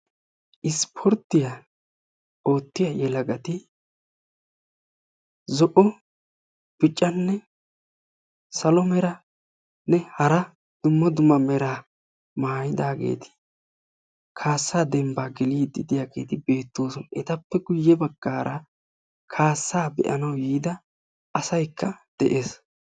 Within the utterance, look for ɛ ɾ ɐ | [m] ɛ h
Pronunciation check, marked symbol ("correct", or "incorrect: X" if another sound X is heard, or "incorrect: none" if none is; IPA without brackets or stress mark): incorrect: n